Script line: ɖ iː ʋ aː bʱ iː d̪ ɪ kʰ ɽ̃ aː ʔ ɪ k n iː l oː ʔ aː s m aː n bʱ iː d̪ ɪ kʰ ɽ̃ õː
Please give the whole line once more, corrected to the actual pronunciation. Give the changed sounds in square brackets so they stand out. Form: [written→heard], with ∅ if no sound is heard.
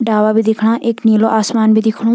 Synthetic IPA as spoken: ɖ [iː→aː] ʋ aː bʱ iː d̪ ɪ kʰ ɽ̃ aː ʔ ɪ k n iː l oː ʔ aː s m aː n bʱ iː d̪ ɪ kʰ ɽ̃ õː